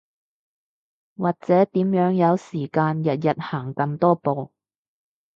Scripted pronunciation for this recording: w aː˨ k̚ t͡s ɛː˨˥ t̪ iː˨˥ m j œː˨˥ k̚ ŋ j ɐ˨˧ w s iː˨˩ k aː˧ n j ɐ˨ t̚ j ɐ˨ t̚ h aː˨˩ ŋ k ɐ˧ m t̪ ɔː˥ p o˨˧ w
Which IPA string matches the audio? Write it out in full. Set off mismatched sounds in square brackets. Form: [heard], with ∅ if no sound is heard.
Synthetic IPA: w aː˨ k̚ t͡s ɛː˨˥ t̪ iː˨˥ m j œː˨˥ [∅] ŋ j ɐ˨˧ w s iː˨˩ k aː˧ n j ɐ˨ t̚ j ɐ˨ t̚ h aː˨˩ ŋ k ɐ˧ m t̪ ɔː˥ p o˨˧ w